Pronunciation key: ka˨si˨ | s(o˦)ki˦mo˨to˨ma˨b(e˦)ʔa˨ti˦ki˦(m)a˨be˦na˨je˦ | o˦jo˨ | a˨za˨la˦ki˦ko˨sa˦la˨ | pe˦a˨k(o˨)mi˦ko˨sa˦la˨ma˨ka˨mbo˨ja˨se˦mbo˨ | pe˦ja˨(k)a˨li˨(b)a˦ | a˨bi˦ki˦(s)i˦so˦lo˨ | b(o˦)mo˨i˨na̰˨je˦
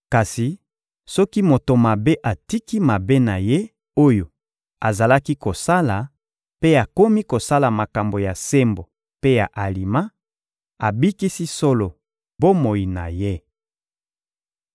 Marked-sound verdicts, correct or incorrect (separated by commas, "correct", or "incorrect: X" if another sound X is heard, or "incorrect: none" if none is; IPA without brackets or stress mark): incorrect: ɔ˦, correct, correct, incorrect: o˦, incorrect: ʔ, incorrect: m, correct, correct